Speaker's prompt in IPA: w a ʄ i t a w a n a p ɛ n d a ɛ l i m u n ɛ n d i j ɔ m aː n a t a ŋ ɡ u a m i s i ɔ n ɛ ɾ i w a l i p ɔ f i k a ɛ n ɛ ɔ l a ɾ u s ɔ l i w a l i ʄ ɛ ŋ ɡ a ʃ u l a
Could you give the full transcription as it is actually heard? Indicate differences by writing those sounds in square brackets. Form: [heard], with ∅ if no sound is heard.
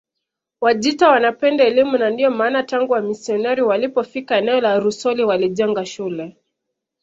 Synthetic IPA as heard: w a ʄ i t a w a n a p ɛ n d a ɛ l i m u n [a] n d i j ɔ m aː n a t a ŋ ɡ u a m i s i ɔ n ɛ ɾ i w a l i p ɔ f i k a ɛ n ɛ ɔ l a ɾ u s ɔ l i w a l i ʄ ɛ ŋ ɡ a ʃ u l [ɛ]